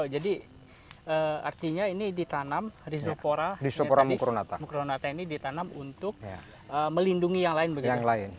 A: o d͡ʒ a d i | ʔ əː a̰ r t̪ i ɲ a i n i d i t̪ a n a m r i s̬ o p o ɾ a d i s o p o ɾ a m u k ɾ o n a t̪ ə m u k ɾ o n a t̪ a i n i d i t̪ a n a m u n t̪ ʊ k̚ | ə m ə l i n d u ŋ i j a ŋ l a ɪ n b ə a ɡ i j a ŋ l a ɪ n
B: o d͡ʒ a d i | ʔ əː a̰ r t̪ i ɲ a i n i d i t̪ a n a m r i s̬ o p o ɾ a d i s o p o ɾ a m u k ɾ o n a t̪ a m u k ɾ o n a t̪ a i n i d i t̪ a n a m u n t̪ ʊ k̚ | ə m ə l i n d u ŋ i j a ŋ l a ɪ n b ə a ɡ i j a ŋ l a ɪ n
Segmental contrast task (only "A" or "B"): B